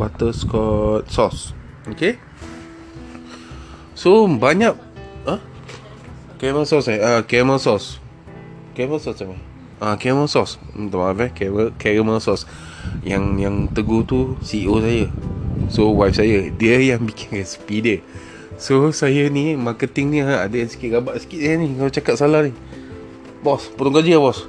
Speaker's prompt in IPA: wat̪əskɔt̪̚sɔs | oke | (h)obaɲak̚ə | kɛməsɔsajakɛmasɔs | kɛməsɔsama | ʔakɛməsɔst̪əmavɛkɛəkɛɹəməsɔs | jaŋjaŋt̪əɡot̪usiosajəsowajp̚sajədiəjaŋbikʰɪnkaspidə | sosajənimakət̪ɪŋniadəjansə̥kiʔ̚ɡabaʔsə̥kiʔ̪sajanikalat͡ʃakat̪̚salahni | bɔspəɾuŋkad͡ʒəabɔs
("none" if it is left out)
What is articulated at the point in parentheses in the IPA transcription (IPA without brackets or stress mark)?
s